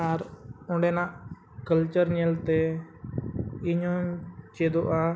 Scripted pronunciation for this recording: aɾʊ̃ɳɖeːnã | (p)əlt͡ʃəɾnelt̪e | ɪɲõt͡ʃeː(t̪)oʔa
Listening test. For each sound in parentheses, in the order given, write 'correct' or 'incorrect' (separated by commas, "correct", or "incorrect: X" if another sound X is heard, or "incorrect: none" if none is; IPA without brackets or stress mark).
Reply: incorrect: k, incorrect: d̪